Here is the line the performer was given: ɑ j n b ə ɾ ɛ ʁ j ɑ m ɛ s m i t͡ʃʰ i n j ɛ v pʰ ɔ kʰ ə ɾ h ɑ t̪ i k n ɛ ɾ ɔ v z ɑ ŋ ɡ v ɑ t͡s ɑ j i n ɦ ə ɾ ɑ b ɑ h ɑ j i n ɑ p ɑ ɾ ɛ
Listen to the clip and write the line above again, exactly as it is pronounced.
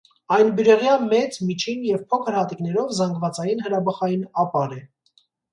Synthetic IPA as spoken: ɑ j n b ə ɾ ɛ ʁ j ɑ m ɛ t͡s m i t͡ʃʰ i n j ɛ v pʰ ɔ kʰ ə ɾ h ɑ t̪ i k n ɛ ɾ ɔ v z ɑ ŋ ɡ v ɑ t͡s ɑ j i n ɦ ə ɾ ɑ b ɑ χ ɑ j i n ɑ p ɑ ɾ ɛ